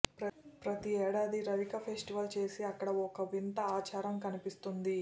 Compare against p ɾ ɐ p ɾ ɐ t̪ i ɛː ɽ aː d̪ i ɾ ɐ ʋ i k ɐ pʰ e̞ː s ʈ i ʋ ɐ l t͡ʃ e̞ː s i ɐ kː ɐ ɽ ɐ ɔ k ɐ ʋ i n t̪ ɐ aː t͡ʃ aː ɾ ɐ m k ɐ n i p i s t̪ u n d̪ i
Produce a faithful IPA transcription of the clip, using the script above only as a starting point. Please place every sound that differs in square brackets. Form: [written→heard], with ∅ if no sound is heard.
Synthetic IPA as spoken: p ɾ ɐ p ɾ ɐ t̪ i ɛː ɽ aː d̪ i ɾ ɐ ʋ i k ɐ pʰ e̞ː s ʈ i ʋ ɐ l t͡ʃ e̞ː s i ɐ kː ɐ ɽ ɐ ɔ k ɐ ʋ i n t̪ ɐ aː t͡ʃ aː ɾ ɐ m k ɐ n i p i s t̪ u n d̪ i